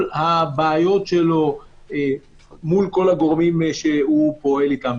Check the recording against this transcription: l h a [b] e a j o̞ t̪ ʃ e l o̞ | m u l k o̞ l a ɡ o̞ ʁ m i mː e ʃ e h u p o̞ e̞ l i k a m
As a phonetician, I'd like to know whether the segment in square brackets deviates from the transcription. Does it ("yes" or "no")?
no